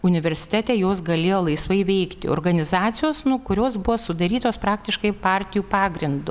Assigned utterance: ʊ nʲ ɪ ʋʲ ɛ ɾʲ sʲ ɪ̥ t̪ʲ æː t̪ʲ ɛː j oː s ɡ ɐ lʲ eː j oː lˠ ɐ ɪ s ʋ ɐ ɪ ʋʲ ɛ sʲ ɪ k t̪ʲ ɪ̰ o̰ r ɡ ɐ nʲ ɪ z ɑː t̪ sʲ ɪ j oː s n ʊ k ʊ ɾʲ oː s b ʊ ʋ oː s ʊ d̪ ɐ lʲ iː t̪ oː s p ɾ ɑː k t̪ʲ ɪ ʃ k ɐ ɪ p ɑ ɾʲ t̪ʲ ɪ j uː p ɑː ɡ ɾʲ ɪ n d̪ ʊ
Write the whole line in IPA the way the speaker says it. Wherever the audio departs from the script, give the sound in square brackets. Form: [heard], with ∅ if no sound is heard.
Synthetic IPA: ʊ nʲ ɪ ʋʲ ɛ ɾʲ sʲ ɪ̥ t̪ʲ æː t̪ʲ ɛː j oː s ɡ ɐ lʲ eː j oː lˠ ɐ ɪ s ʋ ɐ ɪ ʋʲ ɛ [∅] ɪ k t̪ʲ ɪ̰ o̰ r ɡ ɐ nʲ ɪ z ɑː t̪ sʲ ɪ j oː s n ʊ k ʊ ɾʲ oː s b ʊ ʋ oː s ʊ d̪ ɐ [ɾʲ] iː t̪ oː s p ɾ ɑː k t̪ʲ ɪ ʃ k ɐ ɪ p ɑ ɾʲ t̪ʲ ɪ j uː p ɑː ɡ ɾʲ ɪ n d̪ ʊ